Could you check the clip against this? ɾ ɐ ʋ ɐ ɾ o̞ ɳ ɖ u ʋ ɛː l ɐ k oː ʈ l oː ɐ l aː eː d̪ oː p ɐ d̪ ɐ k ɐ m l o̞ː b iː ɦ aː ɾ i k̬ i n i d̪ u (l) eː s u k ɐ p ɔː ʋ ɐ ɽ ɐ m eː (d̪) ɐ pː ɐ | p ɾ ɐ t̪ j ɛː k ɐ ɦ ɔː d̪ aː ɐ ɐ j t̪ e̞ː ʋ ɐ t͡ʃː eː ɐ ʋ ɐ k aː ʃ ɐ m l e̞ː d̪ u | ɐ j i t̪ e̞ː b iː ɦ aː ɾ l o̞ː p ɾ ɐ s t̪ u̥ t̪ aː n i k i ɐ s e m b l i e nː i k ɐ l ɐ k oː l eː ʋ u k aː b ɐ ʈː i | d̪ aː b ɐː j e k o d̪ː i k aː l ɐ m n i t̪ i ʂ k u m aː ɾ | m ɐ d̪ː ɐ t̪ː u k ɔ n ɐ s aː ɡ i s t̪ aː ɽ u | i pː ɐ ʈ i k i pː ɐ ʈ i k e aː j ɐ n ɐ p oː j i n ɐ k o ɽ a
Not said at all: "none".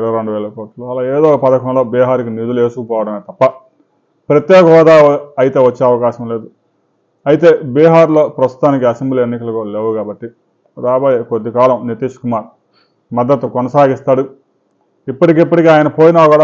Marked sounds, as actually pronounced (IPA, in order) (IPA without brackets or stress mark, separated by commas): l, t̪